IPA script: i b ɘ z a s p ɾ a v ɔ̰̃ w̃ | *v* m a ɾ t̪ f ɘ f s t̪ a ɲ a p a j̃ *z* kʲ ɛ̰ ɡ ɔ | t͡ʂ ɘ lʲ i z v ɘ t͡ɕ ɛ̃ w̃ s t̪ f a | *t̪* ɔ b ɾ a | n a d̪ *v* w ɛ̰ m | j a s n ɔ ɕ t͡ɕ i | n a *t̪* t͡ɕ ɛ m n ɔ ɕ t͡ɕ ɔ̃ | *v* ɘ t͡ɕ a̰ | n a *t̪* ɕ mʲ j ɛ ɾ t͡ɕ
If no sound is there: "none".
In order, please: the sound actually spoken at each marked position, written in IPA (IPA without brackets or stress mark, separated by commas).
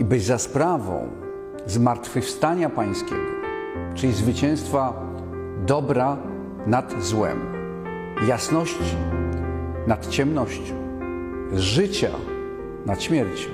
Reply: z, s, d̪, z, t̪, ʐ, t̪